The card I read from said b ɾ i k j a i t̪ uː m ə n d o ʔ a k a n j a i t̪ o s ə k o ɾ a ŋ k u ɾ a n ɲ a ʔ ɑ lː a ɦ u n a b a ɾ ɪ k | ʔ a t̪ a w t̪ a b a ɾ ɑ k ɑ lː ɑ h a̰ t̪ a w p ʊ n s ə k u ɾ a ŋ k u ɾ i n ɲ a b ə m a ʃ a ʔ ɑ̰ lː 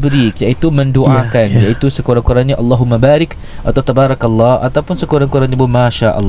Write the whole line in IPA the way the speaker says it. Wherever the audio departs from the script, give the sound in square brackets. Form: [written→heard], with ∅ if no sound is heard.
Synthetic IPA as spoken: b ɾ i k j a i t̪ [uː→u] m ə n d o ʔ a k a n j a i t̪ [o→u] s ə k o ɾ a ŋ k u ɾ a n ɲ a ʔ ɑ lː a ɦ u [n→m] a b a ɾ ɪ k | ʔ a t̪ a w t̪ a b a ɾ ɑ k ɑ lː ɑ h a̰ t̪ a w p ʊ n s ə k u ɾ a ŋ k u ɾ [i→a] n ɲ a b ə m a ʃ a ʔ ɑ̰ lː